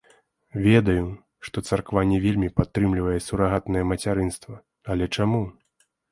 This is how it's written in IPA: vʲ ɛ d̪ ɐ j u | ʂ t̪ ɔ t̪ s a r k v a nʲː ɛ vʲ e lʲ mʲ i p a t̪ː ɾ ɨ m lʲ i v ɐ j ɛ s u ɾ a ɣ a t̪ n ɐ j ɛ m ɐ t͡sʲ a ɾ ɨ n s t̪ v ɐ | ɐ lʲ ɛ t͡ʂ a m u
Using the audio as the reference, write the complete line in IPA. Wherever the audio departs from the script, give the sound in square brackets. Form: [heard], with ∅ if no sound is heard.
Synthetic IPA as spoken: vʲ ɛ d̪ ɐ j u | ʂ t̪ ɔ t̪ s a r k v a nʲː ɛ vʲ e lʲ mʲ i p a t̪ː ɾ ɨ m lʲ i v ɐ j ɛ s u ɾ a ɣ a t̪ n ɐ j ɛ m ɐ t͡sʲ a ɾ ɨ n s t̪ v ɐ | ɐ lʲ ɛ t͡ʂ a m u